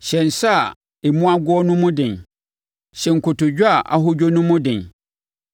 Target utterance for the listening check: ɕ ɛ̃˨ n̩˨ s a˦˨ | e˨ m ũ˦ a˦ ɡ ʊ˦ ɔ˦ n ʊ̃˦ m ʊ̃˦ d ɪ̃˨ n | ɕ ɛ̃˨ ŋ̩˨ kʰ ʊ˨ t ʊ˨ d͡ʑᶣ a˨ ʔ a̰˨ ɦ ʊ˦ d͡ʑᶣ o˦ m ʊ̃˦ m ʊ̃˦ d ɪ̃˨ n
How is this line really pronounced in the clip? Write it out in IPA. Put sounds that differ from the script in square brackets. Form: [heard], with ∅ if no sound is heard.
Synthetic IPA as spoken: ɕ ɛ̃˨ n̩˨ s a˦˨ | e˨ m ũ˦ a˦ ɡ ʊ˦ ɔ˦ n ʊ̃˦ m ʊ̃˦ d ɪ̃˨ n | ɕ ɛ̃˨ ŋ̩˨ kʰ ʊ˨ t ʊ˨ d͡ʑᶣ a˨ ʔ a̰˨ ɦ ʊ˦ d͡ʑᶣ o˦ [n] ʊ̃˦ m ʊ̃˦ d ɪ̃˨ n